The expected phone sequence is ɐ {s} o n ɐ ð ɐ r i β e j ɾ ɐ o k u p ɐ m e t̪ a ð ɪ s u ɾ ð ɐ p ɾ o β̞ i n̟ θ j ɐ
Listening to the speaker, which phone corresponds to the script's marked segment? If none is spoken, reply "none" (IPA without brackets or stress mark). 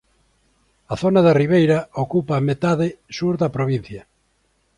θ